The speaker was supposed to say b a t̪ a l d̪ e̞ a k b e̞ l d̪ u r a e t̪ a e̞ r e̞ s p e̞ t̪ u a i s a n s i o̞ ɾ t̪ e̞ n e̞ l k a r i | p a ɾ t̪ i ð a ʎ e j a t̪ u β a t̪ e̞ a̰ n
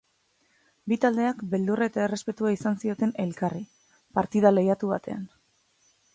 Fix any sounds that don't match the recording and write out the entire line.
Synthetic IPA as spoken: b i t̪ a l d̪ e̞ a k b e̞ l d̪ u r a e t̪ a e̞ r e̞ s p e̞ t̪ u a i s a n s i o̞ t̪ e̞ n e̞ l k a r i | p a ɾ t̪ i ð a l e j a t̪ u β a t̪ e̞ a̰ n